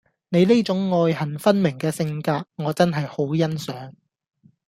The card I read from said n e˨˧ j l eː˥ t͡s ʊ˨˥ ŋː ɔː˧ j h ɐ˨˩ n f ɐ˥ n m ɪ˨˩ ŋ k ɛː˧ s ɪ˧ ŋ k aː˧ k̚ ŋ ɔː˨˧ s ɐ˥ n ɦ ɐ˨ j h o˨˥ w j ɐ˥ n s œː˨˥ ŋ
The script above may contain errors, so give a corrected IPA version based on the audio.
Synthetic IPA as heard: n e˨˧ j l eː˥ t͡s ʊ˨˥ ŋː ɔː˧ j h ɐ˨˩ n f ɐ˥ n m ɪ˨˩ ŋ k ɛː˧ s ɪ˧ ŋ k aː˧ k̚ ŋ ɔː˨˧ t͡s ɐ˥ n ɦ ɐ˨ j h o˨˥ w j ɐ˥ n s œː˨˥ ŋ